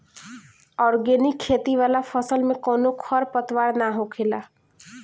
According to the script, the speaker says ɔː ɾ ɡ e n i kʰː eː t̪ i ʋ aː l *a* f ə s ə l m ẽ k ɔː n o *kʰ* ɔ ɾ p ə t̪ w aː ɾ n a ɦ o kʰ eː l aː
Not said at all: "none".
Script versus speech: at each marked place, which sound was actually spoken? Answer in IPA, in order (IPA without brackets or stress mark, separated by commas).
a, kʰ